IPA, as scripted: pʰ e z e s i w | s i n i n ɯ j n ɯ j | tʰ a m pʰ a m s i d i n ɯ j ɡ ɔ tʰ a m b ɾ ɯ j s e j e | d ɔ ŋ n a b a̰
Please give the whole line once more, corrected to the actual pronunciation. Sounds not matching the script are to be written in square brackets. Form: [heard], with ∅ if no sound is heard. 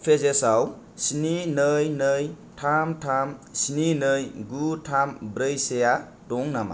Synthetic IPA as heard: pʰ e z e s [a] w | s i n i n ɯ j n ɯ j | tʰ a m [tʰ] a m s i [n] i n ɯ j ɡ [u] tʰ a m b ɾ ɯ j s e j [a] | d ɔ ŋ n a [m] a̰